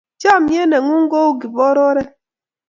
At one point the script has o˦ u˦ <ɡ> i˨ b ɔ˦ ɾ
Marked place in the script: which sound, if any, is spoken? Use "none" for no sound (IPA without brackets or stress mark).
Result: ɡ